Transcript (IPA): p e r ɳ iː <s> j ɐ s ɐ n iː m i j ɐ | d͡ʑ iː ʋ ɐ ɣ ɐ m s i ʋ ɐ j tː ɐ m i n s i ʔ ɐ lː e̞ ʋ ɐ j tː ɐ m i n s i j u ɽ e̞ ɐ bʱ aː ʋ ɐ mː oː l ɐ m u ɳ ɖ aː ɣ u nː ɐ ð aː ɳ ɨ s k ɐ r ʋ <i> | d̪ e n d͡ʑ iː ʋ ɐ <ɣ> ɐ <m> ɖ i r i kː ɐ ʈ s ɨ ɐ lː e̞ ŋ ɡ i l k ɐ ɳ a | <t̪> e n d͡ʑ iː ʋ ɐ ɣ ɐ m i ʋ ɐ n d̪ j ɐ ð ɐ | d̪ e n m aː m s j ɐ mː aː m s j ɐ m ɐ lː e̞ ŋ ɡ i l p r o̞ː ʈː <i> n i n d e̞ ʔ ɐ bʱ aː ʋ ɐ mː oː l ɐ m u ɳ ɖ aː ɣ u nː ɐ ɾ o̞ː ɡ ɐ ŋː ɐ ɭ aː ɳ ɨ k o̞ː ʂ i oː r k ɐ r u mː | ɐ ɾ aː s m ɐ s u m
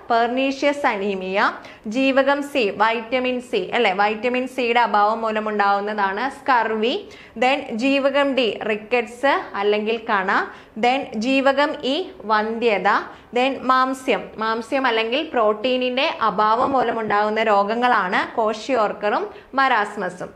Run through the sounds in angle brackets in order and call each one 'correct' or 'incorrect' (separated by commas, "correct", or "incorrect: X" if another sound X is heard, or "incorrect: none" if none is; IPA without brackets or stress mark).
incorrect: ʂ, correct, correct, correct, incorrect: d̪, incorrect: iː